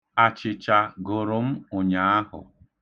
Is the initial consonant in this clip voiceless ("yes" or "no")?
yes